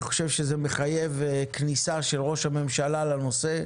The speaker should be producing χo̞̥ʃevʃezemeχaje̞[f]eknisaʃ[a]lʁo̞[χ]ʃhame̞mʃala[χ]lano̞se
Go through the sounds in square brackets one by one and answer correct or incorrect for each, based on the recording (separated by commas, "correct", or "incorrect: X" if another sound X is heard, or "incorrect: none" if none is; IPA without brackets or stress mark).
incorrect: v, incorrect: e, incorrect: none, incorrect: none